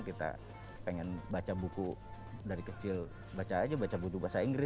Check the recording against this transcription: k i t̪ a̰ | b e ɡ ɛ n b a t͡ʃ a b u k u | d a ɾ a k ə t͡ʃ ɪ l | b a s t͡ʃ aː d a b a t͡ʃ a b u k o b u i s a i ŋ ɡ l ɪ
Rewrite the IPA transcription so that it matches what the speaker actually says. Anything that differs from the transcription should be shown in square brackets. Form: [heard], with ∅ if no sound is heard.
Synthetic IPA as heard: k i t̪ a̰ | [p] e [ŋ] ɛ n b a t͡ʃ a b u k u | d a ɾ [i] k ə t͡ʃ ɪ l | b a [∅] t͡ʃ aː [d͡ʒ] a b a t͡ʃ a b u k [u] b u [a] s a i ŋ ɡ [ɾ] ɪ

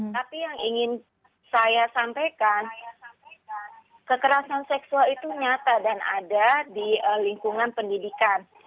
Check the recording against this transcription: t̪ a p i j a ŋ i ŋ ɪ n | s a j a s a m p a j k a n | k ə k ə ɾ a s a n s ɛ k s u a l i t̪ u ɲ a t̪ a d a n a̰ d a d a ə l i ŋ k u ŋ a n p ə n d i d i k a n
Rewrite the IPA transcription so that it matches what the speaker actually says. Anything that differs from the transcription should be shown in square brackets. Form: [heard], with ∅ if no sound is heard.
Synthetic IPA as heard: t̪ a p i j a ŋ i ŋ ɪ n | s a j a s a m p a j k a n | k ə k ə ɾ a s a n s ɛ k s u a l i t̪ u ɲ a t̪ a d a n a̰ d a d [i] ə l i ŋ k u ŋ a n p ə n d i d i k a n

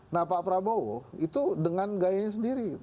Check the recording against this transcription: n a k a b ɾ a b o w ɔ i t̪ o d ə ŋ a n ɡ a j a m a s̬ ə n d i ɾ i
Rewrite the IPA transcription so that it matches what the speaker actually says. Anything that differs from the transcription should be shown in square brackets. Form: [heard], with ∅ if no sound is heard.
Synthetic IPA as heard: n a [p] a [p] ɾ a b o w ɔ i t̪ [u] d ə ŋ a n ɡ a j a [ɲ] a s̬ ə n d i ɾ i

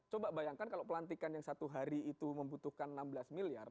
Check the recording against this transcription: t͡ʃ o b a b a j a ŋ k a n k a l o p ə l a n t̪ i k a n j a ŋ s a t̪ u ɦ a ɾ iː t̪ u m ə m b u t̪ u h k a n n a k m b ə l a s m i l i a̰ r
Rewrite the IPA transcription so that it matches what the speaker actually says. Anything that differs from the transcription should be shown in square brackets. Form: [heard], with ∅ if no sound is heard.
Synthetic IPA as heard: t͡ʃ o b a b a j a ŋ k a n k a l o p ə l a n t̪ i k a n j a ŋ s a t̪ u ɦ a ɾ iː t̪ u m ə m b u t̪ u h k a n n a [∅] m b ə l a s m i l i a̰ r

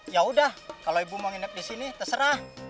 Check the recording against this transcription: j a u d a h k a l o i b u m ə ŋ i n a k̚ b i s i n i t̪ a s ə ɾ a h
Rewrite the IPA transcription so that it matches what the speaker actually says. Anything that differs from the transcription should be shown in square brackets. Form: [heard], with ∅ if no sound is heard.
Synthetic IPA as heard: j a u d a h k a l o i b u m [a] ŋ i n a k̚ [d] i s i n i t̪ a s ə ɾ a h

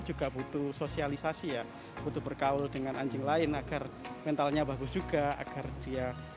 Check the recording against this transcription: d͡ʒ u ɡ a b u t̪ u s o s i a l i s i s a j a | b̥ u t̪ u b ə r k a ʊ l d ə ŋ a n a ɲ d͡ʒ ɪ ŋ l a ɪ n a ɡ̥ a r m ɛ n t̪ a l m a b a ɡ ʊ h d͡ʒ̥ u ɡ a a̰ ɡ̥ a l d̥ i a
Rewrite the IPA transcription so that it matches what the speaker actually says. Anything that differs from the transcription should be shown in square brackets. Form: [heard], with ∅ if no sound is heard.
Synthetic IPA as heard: d͡ʒ u ɡ a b u t̪ u s o s i a l i s [a] s [i] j a | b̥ u t̪ u b ə r k a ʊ l d ə ŋ a n a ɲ d͡ʒ ɪ ŋ l a ɪ n a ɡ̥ a r m ɛ n t̪ a l [ɲ] a b a ɡ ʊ [s] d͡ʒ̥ u ɡ a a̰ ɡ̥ a [r] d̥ i a

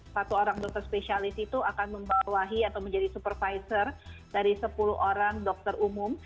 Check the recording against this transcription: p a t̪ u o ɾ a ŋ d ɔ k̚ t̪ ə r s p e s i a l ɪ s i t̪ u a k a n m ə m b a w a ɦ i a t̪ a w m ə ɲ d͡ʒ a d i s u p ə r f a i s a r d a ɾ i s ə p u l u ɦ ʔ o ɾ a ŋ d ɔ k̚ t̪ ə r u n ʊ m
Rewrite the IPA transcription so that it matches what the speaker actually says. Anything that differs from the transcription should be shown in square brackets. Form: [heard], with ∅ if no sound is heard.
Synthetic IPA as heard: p a t̪ u o ɾ a ŋ d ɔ k̚ t̪ ə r s p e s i a l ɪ s i t̪ u a k a n m ə m b a w a ɦ i a t̪ a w m ə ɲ d͡ʒ a d i s u p ə r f a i s [ə] r d a ɾ i s ə p u l u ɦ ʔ o ɾ a ŋ d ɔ k̚ t̪ ə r u [m] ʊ m

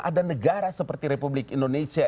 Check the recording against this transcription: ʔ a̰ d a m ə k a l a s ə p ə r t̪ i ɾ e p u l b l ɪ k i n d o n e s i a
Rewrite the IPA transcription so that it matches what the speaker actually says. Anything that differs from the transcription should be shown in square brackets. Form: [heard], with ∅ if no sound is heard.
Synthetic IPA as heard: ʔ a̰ d a [n] ə [ɡ] a [ɾ] a s ə p ə r t̪ i ɾ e p u [∅] b l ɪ k i n d o n e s i a

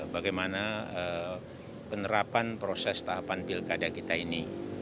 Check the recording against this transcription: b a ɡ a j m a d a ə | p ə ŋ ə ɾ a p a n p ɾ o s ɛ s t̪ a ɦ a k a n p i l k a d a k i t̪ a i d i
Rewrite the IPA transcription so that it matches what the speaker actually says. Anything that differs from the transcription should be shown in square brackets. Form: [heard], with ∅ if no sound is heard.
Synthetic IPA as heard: b a ɡ a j m a [n] a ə | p ə [n] ə ɾ a p a n p ɾ o s ɛ s t̪ a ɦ a [p] a n p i l k a d a k i t̪ a i [n] i

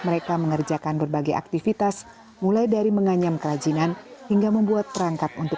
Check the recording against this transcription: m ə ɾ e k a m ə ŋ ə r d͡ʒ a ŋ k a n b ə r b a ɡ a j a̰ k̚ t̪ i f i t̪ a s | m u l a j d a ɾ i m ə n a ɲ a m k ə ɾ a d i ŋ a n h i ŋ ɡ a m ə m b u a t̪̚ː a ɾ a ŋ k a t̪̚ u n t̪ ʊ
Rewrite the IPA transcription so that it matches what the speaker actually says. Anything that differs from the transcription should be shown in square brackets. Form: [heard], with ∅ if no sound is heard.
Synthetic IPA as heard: m ə ɾ e k a m ə ŋ ə r d͡ʒ a [∅] k a n b ə r b a ɡ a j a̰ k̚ t̪ i f i t̪ a s | m u l a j d a ɾ i m ə [ŋ] a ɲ a m k ə ɾ a [d͡ʒ] i [n] a n h i ŋ ɡ a m ə m b u a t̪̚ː [ə] ɾ a ŋ k a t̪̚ u n t̪ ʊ

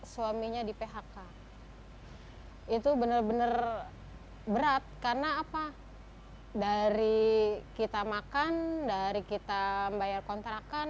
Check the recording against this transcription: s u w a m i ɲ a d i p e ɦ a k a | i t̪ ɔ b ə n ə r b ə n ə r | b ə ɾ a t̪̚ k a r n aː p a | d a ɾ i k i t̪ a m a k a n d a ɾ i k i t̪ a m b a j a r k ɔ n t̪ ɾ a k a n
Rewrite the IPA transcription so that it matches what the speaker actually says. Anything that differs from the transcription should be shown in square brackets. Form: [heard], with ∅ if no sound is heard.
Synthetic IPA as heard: s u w a m i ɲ a d i p e ɦ a k a | i t̪ [u] b ə n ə r b ə n ə r | b ə ɾ a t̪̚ k a r n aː p a | d a ɾ i k i t̪ a m a k a n d a ɾ i k i t̪ a m b a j a r k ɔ n t̪ ɾ a k a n

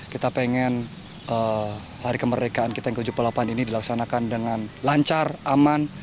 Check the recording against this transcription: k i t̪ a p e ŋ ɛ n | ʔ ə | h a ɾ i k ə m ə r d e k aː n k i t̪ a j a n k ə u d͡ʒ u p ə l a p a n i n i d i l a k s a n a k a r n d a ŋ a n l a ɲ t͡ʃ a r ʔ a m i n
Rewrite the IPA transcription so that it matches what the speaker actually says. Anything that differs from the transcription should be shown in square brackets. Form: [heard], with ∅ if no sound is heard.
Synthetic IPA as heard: k i t̪ a p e ŋ ɛ n | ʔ ə | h a ɾ i k ə m ə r d e k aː n k i t̪ a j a [ŋ] k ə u d͡ʒ u p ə l a p a n i n i d i l a k s a n a k a [∅] n d [ə] ŋ a n l a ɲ t͡ʃ a r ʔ a m [a] n

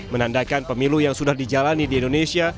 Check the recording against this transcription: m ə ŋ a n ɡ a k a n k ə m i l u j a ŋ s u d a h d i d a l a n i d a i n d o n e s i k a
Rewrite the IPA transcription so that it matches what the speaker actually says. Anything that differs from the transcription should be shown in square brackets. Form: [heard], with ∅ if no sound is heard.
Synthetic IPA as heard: m ə [n] a n [d] a k a n [p] ə m i l u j a ŋ s u d a h d i [d͡ʒ] a l a n i d [i] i n d o n e s i [∅] a

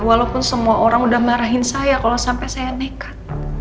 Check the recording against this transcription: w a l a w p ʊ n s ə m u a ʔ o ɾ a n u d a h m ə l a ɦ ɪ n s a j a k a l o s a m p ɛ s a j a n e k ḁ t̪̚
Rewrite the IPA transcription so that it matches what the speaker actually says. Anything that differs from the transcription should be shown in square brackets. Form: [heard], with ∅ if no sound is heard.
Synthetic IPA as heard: w a l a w p ʊ n s ə m u a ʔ o ɾ a [ŋ] u d a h m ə [ɾ] a ɦ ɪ n s a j a k a l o s a m p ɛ s a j a n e k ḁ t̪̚

